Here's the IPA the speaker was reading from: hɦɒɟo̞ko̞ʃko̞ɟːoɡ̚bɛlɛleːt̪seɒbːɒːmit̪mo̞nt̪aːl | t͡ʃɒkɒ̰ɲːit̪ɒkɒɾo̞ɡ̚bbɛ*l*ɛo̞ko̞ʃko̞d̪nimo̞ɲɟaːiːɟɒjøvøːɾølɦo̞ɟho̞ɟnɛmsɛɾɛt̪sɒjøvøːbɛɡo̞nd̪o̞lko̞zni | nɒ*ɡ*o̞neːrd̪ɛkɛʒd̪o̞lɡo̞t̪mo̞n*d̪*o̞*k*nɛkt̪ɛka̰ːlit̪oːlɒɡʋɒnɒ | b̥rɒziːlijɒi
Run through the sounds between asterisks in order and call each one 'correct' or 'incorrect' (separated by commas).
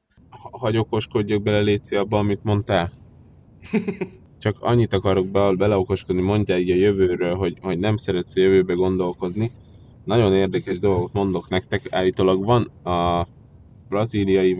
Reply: correct, incorrect, correct, correct